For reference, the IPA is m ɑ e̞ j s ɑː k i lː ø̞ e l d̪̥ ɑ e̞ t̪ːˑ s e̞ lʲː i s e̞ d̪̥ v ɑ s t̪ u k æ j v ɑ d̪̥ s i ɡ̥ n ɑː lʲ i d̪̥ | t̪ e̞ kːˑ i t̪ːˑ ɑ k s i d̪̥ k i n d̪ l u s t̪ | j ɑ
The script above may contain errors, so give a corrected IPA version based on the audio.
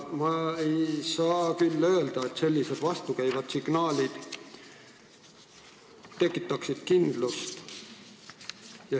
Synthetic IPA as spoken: m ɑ e̞ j s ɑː k y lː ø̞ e l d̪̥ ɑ e̞ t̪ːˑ s e̞ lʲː i s e̞ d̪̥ v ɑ s t̪ u k æ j v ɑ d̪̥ s i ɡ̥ n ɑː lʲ i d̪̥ | t̪ e̞ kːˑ i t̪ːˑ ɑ k s i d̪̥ k i n d̪ l u s t̪ | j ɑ